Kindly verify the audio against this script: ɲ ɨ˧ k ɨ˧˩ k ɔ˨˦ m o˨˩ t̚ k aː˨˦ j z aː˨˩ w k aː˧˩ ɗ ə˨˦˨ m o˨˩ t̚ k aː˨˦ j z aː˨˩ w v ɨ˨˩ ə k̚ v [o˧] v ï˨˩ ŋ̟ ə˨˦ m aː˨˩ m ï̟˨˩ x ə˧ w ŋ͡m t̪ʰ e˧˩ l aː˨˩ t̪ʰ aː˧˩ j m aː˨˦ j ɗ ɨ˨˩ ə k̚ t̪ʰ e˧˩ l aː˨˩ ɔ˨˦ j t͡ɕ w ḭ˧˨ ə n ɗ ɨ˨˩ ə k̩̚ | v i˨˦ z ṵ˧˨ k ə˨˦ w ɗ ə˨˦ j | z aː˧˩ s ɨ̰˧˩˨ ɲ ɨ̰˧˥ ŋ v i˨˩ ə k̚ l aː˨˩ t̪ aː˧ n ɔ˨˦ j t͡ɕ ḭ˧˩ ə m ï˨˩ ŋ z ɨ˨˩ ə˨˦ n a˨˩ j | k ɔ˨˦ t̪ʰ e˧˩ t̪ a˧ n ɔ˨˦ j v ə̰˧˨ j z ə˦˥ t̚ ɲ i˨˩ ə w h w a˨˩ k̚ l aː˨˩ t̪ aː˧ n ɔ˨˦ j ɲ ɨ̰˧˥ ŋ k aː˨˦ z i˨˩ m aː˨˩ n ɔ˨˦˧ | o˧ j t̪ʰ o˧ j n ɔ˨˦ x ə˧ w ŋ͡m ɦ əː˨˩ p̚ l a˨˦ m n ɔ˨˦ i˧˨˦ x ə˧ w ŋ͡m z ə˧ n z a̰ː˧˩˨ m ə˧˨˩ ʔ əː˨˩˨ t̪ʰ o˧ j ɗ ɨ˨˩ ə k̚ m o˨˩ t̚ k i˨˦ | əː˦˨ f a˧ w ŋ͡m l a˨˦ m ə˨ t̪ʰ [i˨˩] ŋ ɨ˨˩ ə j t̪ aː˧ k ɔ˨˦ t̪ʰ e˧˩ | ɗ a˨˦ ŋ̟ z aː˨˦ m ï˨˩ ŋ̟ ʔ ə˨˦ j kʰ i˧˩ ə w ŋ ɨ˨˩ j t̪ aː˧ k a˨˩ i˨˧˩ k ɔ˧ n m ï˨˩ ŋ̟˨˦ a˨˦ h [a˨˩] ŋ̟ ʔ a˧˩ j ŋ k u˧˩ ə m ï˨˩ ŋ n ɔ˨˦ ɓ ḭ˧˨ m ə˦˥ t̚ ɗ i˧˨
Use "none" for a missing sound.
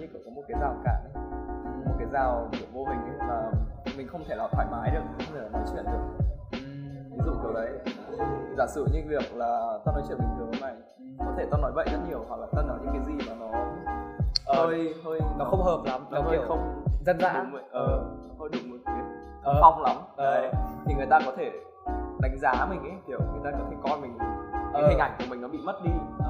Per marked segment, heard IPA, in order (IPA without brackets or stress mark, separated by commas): o˧, i˨˩, i˨˩